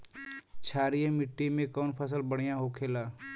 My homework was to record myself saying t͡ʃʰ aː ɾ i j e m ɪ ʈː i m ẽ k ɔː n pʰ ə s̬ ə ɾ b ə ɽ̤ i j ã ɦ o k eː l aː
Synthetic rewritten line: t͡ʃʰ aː ɾ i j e m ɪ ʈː i m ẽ k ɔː n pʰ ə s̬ ə l b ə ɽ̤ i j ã ɦ o kʰ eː l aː